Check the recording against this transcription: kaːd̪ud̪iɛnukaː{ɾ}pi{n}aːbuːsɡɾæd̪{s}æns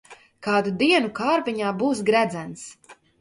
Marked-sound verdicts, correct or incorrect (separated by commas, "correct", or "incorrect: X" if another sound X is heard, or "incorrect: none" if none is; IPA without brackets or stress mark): correct, incorrect: ɲ, incorrect: z